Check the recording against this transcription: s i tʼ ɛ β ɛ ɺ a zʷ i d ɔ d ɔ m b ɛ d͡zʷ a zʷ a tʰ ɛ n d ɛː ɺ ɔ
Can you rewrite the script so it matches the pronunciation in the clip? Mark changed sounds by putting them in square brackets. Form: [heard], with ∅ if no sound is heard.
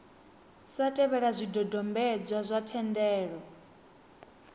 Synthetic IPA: s [a] tʼ ɛ β ɛ ɺ a zʷ i d ɔ d ɔ m b ɛ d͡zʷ a zʷ a tʰ ɛ n d ɛː ɺ ɔ

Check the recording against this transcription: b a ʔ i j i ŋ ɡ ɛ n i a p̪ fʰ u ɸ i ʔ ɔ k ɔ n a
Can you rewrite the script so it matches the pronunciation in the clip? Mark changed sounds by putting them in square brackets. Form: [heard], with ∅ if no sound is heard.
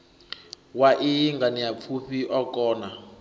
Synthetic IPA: [w] a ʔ i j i ŋ ɡ [a] n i a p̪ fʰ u ɸ i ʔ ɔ k [ɔː] n a

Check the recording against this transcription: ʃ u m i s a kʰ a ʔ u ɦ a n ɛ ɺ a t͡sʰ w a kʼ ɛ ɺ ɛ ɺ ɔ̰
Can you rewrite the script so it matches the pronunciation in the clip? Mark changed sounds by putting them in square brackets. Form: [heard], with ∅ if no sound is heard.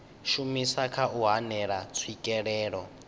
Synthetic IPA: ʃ u m i s a kʰ a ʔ u ɦ a n ɛ ɺ a t͡sʰ w [i] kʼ ɛ ɺ [ɛː] ɺ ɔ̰

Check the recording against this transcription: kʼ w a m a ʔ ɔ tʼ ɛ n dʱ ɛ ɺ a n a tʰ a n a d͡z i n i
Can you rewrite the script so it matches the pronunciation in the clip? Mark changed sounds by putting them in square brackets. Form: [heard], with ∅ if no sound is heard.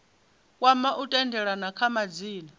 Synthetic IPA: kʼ w a m a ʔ [u] tʼ ɛ n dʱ ɛ ɺ a n a [kʰ] a [m] a d͡z [iː] n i

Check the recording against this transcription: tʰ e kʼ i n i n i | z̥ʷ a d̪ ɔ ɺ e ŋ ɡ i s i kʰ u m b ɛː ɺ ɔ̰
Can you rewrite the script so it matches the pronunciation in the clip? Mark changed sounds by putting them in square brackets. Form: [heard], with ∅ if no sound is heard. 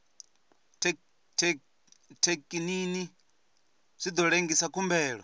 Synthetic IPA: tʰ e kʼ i n i n i | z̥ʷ [i] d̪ ɔ ɺ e ŋ ɡ i s [a] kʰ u m b ɛː ɺ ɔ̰

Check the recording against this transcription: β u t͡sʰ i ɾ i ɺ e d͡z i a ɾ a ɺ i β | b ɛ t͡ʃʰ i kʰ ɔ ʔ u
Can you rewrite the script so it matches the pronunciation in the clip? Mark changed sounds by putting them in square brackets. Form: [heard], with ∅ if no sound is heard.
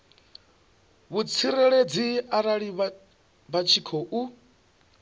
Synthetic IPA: β u t͡sʰ i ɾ [ɛ] ɺ e d͡z i a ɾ a ɺ i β | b [a] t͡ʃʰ i kʰ ɔ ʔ u

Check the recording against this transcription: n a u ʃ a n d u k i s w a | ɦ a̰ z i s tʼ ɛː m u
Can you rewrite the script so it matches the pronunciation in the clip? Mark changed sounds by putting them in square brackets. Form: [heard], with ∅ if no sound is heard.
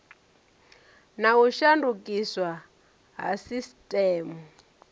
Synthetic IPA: n a u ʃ a n d u k i s w a | ɦ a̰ [s] i s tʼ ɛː m u

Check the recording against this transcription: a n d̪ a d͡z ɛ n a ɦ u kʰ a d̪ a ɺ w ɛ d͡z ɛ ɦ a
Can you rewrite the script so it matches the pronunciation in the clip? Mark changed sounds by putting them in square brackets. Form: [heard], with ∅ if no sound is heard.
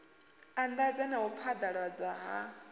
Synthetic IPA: a n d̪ a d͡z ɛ n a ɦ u [pʰ] a d̪ a ɺ w [a] d͡z [a] ɦ a

